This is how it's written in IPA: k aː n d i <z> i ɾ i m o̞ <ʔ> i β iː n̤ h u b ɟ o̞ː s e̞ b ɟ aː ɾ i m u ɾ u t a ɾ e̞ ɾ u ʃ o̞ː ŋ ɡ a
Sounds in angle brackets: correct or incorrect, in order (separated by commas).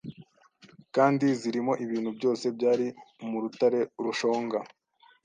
correct, correct